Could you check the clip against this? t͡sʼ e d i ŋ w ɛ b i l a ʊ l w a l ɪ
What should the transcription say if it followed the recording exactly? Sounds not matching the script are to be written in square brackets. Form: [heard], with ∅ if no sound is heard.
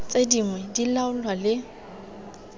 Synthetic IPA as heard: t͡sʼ e d i ŋ w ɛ [d] i l a ʊ l w a l ɪ